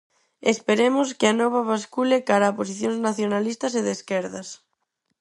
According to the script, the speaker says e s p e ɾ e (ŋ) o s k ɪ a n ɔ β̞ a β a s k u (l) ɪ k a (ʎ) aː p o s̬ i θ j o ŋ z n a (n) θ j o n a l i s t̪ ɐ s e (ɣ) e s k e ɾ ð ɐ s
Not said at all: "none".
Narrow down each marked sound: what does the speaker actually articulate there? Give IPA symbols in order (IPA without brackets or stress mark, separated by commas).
m, l, ɾ, none, ð